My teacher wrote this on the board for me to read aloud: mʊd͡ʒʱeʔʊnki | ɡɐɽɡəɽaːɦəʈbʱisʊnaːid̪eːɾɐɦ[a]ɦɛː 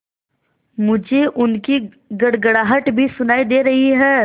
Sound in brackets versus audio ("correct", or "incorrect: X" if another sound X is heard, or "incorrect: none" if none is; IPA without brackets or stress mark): incorrect: i